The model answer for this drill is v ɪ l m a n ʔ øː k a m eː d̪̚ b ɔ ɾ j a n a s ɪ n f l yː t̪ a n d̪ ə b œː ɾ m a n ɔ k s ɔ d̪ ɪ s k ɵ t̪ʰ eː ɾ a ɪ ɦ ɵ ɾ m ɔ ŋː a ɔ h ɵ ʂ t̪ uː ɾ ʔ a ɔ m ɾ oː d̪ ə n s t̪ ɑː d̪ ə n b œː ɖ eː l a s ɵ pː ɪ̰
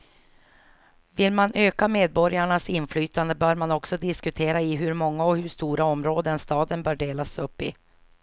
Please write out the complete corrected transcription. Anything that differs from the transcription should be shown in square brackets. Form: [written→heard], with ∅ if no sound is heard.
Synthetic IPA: v ɪ l m a n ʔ øː k a m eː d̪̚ b ɔ ɾ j a [n→ɳ] a s ɪ n f l yː t̪ a n d̪ ə b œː ɾ m a n ɔ k s ɔ d̪ ɪ s k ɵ t̪ʰ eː ɾ a ɪ ɦ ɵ ɾ m ɔ ŋː a ɔ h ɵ ʂ t̪ uː ɾ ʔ a ɔ m ɾ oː d̪ ə n s t̪ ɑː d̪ ə n b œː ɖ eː l a s ɵ pː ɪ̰